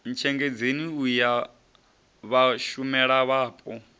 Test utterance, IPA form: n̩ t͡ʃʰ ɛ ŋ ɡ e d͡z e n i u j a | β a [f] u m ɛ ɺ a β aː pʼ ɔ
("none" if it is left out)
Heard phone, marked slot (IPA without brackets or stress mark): ʃ